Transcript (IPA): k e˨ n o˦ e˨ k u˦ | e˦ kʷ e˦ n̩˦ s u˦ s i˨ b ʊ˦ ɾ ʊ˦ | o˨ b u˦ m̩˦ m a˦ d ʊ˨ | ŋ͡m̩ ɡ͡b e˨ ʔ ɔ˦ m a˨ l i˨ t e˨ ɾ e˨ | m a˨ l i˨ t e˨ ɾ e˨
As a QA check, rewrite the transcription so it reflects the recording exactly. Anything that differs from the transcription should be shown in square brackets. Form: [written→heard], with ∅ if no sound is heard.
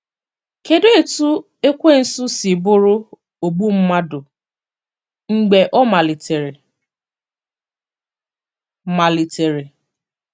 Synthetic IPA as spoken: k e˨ [n→d] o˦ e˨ [k→t] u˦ | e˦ kʷ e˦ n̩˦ s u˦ s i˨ b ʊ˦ ɾ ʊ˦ | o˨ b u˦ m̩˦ m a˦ d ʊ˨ | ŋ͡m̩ ɡ͡b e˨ ʔ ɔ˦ m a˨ l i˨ t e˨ ɾ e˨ | m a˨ l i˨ t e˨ ɾ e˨